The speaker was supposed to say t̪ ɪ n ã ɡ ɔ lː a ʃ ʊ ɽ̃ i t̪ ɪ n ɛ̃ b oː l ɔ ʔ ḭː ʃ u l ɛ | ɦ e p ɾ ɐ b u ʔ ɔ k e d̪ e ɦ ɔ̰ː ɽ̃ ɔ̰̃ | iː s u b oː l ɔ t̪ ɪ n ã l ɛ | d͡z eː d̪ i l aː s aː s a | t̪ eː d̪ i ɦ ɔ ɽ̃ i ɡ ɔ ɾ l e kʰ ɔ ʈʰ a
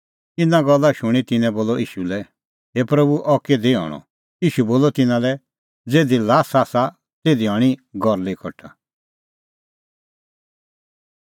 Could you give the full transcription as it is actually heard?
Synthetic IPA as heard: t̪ ɪ n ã ɡ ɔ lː a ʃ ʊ ɽ̃ i t̪ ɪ n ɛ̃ b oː l ɔ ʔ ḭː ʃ u l ɛ | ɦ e p ɾ ɐ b u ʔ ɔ k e d̪ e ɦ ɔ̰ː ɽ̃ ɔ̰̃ | iː ʃ u b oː l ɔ t̪ ɪ n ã l ɛ | d͡z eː d̪ i l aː s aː s a | t̪ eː d̪ i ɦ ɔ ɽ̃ i ɡ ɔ ɾ l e kʰ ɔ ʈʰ a